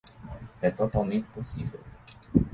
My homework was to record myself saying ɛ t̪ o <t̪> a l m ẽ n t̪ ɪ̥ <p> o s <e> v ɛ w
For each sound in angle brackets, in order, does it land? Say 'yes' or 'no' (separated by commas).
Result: yes, yes, no